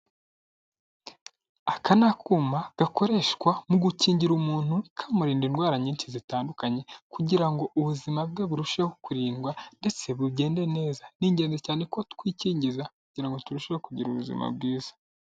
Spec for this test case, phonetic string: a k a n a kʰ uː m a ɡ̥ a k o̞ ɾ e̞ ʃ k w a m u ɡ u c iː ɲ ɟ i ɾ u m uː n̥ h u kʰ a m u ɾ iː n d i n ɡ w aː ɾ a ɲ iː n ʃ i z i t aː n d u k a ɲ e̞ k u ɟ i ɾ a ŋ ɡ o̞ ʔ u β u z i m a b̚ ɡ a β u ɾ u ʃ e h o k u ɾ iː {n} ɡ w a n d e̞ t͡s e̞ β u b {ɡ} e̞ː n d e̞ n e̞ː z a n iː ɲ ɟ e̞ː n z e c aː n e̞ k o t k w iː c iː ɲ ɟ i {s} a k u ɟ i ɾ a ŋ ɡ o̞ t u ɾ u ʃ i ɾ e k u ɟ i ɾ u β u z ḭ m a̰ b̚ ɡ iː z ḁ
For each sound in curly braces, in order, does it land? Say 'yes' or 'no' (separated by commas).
yes, no, no